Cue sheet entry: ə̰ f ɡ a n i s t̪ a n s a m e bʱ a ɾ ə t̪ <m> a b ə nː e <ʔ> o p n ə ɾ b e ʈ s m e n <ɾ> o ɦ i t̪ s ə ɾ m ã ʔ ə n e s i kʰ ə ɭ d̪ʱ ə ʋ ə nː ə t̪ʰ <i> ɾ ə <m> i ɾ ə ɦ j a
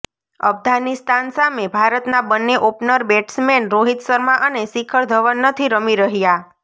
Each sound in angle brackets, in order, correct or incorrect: incorrect: n, correct, correct, correct, correct

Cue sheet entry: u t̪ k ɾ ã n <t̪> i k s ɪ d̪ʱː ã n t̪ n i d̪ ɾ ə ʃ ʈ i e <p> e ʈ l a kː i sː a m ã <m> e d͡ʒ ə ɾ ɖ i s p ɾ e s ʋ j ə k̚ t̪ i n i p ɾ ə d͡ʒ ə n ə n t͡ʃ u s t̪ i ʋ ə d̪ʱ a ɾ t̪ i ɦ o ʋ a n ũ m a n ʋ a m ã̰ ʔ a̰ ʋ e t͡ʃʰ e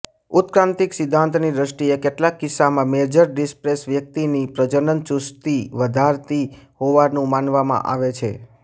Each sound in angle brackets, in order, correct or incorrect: correct, incorrect: k, correct

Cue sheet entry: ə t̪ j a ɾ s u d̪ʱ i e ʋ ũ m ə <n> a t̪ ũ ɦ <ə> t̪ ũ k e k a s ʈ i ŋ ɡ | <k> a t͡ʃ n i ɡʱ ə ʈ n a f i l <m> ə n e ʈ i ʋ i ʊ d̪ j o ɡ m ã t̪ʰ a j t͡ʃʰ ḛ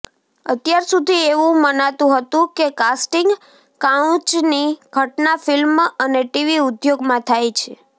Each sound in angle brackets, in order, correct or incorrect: correct, correct, correct, correct

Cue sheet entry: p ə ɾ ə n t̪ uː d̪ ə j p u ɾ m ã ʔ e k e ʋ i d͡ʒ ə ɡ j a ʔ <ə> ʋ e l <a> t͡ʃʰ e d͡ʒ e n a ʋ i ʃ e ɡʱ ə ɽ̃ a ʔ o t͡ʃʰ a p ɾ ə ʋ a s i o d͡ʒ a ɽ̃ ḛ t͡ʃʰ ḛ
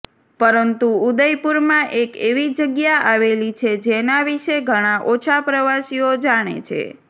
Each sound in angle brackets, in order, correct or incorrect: incorrect: a, incorrect: i

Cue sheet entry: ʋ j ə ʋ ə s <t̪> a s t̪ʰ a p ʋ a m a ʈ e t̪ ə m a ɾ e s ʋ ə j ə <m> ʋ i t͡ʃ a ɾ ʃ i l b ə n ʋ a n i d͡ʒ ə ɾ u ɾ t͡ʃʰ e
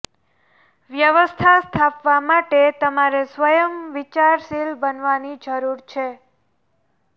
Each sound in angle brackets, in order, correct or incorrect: incorrect: t̪ʰ, correct

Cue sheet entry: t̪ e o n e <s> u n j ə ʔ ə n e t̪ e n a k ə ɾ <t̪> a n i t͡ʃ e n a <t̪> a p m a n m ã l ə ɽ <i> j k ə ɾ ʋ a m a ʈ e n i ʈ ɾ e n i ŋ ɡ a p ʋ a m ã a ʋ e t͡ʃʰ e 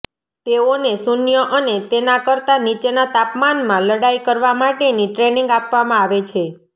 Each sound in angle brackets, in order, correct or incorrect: correct, correct, correct, incorrect: a

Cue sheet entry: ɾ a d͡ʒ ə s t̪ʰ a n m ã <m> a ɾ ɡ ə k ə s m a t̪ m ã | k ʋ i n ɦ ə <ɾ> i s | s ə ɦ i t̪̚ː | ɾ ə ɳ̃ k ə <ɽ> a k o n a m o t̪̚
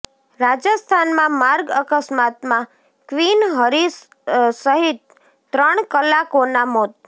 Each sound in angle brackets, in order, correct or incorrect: correct, correct, incorrect: l

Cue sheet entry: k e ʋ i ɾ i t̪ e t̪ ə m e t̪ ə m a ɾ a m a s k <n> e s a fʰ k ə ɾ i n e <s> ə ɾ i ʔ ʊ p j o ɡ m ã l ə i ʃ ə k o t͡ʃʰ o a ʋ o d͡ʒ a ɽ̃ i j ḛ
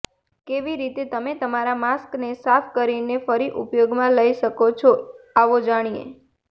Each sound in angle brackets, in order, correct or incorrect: correct, incorrect: f

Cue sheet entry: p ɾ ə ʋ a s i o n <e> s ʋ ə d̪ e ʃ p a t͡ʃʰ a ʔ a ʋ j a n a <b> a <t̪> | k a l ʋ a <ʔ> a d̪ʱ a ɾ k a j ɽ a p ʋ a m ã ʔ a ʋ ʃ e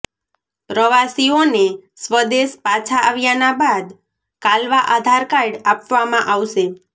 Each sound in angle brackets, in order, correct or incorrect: correct, correct, incorrect: d̪, correct

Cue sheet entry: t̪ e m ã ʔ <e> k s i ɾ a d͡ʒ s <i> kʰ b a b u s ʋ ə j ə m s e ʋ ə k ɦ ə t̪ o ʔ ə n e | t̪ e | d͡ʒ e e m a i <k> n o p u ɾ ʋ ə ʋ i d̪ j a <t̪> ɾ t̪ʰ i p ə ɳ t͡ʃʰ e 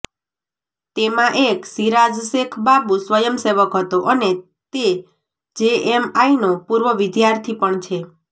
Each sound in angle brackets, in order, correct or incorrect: correct, incorrect: e, incorrect: none, incorrect: none

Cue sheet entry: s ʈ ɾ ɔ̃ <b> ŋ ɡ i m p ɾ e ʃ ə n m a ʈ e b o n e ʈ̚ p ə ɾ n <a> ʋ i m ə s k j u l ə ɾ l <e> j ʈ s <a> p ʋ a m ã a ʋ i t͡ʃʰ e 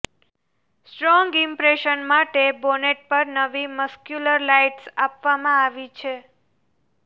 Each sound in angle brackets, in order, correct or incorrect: incorrect: none, incorrect: ə, incorrect: a, correct

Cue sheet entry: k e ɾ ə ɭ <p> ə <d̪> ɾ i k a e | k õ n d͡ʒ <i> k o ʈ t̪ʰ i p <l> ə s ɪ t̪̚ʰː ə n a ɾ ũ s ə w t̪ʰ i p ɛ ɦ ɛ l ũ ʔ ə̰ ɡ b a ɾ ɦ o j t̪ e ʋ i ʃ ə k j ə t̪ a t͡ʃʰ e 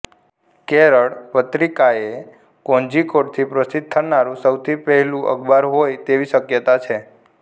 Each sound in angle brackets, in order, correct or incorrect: correct, incorrect: t̪, correct, incorrect: ɾ

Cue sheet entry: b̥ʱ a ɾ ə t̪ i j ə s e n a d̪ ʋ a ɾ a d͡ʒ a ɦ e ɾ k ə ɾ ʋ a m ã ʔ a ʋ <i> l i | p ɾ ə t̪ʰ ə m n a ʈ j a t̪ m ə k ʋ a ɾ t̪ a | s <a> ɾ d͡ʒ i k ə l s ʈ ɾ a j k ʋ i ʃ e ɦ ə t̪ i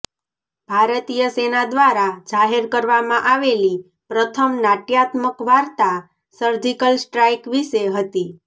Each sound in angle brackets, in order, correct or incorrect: incorrect: e, incorrect: ə

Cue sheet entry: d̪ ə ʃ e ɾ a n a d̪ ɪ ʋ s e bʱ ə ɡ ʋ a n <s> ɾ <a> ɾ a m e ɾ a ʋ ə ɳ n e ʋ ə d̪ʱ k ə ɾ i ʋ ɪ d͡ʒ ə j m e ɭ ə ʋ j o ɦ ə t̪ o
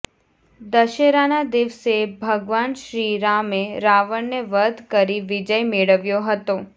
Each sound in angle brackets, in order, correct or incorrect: incorrect: ʃ, incorrect: i

